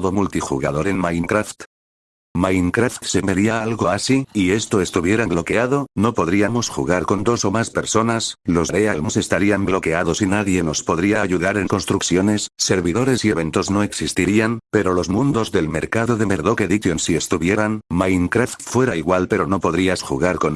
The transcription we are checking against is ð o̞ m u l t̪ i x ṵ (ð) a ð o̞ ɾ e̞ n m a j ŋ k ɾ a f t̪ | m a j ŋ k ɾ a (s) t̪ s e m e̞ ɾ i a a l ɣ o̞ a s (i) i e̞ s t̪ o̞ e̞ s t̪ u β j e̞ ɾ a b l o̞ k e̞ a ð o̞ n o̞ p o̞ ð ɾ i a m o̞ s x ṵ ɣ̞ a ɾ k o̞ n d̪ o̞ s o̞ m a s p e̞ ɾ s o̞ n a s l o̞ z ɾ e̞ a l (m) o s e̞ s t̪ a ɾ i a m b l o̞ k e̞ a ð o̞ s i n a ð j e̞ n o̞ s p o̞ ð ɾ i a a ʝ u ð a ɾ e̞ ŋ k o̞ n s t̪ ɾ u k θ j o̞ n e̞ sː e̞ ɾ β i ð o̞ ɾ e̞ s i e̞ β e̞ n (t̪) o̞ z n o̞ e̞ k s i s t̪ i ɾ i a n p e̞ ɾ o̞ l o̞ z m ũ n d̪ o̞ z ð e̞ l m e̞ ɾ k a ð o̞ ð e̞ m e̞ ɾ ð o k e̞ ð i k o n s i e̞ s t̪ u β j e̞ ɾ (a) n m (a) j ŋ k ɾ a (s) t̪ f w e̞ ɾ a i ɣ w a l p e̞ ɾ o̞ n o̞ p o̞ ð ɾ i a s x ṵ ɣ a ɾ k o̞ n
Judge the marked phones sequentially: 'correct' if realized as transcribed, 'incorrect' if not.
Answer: incorrect: ɣ, incorrect: f, correct, correct, correct, correct, correct, incorrect: f

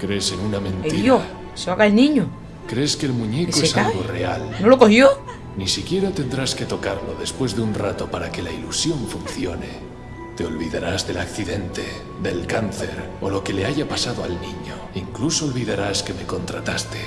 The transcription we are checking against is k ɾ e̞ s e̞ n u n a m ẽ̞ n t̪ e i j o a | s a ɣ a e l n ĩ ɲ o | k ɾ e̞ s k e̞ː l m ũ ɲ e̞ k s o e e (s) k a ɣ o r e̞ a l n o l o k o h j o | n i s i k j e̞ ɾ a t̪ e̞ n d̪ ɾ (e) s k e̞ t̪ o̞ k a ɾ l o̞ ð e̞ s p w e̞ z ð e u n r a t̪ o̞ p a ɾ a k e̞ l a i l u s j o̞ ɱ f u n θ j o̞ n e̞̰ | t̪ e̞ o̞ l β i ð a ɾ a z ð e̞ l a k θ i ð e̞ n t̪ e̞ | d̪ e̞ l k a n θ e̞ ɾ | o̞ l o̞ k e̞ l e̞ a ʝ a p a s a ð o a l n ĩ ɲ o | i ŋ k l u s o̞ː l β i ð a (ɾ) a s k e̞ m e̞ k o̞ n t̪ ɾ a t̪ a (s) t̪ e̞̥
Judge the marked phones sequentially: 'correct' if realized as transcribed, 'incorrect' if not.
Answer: correct, incorrect: a, correct, correct

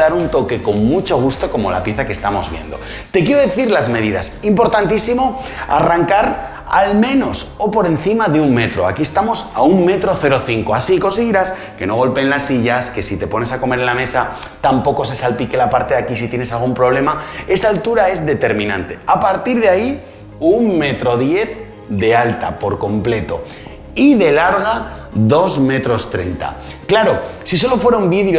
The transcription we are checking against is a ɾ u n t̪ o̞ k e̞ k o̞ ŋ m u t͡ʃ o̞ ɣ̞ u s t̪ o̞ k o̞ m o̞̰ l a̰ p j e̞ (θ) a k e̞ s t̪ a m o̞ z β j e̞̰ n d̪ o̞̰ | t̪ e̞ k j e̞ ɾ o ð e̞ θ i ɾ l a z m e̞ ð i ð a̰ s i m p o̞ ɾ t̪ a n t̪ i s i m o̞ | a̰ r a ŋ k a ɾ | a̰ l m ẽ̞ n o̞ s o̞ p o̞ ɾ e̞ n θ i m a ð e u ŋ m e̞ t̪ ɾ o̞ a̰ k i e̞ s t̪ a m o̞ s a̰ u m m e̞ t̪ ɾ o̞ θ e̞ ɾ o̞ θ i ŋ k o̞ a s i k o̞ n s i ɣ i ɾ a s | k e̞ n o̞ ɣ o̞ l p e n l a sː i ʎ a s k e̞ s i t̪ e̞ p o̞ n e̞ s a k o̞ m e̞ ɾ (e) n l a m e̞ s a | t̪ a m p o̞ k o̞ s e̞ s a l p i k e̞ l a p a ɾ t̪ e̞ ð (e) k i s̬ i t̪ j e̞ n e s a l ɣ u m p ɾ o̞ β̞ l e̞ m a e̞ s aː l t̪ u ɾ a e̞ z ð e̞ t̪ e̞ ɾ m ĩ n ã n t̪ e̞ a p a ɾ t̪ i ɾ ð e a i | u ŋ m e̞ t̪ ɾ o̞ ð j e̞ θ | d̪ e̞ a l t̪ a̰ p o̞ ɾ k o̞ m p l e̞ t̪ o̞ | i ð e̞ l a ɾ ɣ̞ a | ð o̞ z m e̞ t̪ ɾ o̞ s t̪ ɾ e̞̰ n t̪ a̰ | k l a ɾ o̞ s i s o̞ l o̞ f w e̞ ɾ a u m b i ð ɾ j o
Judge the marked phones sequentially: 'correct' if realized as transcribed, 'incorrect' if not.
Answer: correct, correct, incorrect: a

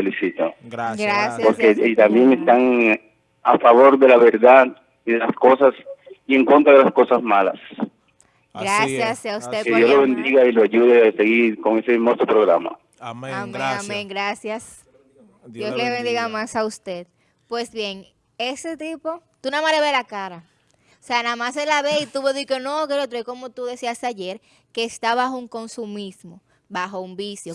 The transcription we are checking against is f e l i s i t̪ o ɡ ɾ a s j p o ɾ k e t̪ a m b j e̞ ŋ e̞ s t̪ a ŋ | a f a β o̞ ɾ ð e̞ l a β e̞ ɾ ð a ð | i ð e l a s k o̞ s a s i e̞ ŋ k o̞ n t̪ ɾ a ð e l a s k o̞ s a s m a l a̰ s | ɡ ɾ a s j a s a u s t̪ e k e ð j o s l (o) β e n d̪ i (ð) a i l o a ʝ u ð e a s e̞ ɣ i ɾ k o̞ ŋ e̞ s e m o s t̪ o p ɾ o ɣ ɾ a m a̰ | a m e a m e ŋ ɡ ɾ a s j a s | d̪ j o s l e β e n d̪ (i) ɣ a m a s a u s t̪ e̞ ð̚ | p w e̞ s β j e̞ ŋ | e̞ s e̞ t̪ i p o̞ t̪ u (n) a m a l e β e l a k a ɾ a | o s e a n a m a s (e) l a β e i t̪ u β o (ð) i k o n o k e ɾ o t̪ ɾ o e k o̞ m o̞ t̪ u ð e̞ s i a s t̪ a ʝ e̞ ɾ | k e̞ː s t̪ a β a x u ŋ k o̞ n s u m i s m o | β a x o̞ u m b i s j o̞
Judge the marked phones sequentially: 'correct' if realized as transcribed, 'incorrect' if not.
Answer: correct, incorrect: ɣ, correct, correct, correct, correct

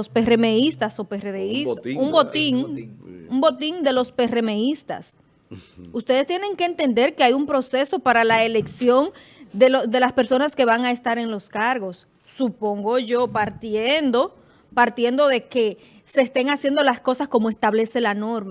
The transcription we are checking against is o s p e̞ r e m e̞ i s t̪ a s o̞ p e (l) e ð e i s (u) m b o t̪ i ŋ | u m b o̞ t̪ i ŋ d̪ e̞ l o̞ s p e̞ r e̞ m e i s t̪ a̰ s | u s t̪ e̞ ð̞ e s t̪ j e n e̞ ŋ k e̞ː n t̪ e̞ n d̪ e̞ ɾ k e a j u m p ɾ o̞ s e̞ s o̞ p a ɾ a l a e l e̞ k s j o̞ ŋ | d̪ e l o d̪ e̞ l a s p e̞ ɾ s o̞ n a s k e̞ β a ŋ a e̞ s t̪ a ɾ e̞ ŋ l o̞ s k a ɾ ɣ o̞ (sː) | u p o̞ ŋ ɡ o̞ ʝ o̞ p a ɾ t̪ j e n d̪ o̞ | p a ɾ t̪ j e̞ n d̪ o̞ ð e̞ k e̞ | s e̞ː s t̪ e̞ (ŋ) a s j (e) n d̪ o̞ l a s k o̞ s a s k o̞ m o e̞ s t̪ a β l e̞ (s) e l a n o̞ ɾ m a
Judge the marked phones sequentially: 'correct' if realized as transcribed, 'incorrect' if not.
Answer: incorrect: r, correct, correct, correct, correct, correct

